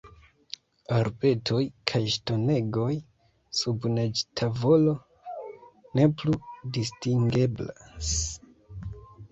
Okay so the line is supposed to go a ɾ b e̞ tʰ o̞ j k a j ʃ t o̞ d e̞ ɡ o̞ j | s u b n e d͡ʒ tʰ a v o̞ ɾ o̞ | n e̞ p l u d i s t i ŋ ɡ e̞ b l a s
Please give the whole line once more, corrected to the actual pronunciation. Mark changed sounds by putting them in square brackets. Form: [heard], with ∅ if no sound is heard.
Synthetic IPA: a ɾ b e̞ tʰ o̞ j [kʰ] a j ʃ t o̞ [n] e̞ ɡ o̞ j | s u b n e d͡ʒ tʰ a v o̞ [l] o̞ | n e̞ p l u d i s t i ŋ ɡ e̞ b l a s